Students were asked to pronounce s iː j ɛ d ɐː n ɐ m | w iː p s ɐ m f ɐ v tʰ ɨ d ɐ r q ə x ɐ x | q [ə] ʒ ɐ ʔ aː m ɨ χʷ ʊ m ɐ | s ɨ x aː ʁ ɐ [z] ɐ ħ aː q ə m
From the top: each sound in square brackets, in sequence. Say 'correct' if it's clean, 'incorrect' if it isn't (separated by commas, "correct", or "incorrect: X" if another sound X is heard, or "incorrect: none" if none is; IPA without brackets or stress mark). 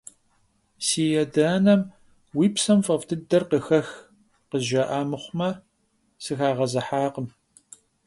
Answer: correct, correct